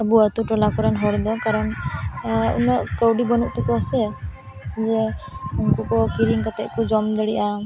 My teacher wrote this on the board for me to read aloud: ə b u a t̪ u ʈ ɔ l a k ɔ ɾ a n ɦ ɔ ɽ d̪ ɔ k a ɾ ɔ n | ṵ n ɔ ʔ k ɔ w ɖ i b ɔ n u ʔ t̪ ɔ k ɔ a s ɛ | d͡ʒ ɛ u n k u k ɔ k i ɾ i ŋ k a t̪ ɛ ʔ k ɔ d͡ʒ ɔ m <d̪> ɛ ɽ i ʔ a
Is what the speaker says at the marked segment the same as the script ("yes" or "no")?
yes